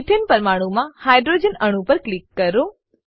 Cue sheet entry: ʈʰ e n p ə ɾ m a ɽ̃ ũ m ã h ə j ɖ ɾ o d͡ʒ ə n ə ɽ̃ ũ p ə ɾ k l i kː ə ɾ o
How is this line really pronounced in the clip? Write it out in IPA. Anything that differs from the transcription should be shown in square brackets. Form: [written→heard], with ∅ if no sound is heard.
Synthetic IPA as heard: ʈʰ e n p ə ɾ m a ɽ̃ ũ m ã h [ə→a] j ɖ ɾ o d͡ʒ ə n ə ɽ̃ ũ p ə ɾ k l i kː ə ɾ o